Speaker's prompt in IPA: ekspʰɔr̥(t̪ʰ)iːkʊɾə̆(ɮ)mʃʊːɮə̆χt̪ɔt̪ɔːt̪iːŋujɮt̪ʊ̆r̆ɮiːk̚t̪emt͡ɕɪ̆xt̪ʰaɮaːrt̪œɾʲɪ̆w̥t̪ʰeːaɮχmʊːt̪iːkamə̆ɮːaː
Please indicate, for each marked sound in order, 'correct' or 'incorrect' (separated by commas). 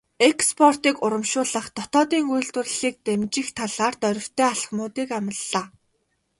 incorrect, incorrect